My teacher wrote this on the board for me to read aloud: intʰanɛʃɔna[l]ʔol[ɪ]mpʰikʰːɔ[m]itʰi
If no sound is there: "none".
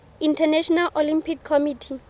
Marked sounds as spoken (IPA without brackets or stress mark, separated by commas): l, i, m